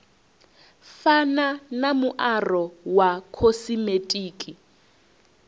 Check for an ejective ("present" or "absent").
present